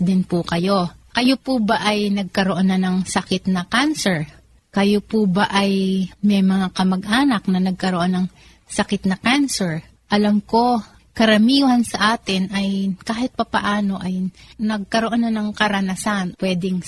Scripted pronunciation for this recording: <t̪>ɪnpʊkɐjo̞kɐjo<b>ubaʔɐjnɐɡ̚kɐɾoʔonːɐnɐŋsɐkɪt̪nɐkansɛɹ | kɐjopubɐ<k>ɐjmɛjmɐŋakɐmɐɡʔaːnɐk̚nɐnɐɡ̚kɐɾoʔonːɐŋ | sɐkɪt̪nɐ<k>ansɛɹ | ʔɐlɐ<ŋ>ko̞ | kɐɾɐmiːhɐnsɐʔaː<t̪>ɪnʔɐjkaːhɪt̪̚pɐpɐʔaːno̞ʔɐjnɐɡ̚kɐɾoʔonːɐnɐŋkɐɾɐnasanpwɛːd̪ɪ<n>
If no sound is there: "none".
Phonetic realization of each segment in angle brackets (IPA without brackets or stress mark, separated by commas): d̪, p, ʔ, k, m, t̪, ŋ